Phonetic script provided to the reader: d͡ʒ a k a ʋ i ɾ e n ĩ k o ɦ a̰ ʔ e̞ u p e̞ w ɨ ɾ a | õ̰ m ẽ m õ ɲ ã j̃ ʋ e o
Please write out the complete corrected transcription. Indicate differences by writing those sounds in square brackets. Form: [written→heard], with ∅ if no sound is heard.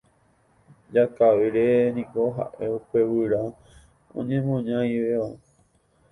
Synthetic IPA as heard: d͡ʒ a k a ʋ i ɾ e n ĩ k o ɦ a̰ ʔ e̞ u p e̞ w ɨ ɾ a | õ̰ [m→ɲ] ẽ m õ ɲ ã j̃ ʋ e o